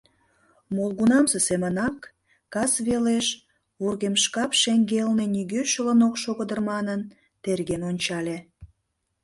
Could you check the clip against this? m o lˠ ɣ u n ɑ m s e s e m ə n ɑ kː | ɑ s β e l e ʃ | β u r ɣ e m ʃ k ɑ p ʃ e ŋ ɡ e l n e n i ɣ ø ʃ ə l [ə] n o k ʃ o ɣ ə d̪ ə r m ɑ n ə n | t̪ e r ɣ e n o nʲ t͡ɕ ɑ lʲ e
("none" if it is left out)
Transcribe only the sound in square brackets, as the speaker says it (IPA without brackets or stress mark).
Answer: ə